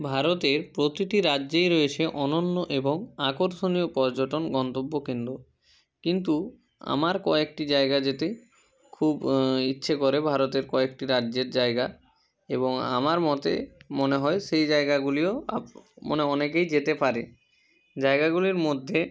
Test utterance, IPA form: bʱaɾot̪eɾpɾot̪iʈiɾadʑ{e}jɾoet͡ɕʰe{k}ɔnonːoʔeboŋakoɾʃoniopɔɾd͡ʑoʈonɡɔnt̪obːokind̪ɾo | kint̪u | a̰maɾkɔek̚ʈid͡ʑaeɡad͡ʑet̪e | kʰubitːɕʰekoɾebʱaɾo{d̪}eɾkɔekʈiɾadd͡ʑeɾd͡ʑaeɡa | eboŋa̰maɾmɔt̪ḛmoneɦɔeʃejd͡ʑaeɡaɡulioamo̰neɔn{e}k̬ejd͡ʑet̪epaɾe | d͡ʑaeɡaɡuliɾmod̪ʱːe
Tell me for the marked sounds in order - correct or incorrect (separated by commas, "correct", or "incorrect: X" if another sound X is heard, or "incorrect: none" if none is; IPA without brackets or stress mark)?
correct, incorrect: ʔ, incorrect: t̪, correct